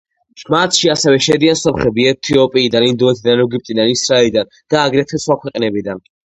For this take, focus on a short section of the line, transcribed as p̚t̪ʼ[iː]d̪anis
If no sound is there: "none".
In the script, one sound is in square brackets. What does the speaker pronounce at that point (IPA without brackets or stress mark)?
i